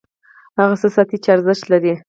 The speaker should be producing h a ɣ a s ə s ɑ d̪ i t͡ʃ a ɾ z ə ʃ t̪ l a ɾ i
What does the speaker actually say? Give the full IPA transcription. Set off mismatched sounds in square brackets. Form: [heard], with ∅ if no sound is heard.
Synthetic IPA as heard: h a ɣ a s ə s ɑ [t̪] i t͡ʃ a ɾ z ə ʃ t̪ l a ɾ i